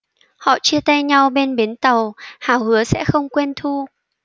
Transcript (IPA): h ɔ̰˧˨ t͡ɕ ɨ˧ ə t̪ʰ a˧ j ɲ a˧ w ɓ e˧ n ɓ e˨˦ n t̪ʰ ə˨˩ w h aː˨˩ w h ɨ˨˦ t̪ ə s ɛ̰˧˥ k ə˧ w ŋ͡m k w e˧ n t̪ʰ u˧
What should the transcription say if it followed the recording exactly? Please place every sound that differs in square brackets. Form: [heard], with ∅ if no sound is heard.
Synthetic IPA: h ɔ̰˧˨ t͡ɕ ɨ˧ ə [t̪] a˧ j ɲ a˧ w ɓ e˧ n ɓ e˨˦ n [t̪] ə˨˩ w h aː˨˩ w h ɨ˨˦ [∅] ə s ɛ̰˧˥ [x] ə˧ w ŋ͡m k w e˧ n t̪ʰ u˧